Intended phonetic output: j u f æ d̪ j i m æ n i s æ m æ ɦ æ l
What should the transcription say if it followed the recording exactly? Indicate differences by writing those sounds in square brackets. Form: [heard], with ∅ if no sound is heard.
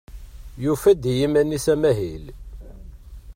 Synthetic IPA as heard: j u f æ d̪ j i m æ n i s æ m æ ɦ [i] l